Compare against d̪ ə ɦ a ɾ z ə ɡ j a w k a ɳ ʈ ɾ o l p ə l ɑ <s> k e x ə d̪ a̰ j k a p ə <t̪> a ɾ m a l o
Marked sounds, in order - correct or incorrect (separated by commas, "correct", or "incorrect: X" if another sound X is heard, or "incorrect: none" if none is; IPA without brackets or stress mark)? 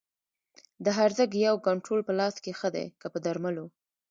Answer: correct, incorrect: d̪